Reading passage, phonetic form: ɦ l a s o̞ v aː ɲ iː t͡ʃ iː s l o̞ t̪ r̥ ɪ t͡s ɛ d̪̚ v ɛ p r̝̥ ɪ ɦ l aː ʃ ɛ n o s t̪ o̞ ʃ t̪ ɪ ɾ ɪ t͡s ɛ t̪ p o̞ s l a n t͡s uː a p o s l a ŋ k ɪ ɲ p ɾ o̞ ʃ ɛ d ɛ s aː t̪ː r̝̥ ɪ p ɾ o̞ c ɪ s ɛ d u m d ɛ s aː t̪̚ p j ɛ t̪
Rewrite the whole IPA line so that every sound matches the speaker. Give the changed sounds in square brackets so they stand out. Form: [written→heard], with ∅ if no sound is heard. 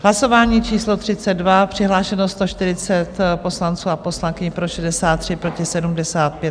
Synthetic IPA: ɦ l a s o̞ v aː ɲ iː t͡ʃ iː s l o̞ t̪ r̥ ɪ t͡s ɛ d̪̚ v [ɛ→a] p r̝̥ ɪ ɦ l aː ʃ ɛ n o s t̪ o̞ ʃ t̪ ɪ ɾ ɪ t͡s ɛ t̪ p o̞ s l a n t͡s uː a p o s l a ŋ k ɪ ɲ p ɾ o̞ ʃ ɛ d ɛ s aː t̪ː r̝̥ ɪ p ɾ o̞ c ɪ s ɛ d u m d ɛ s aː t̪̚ p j ɛ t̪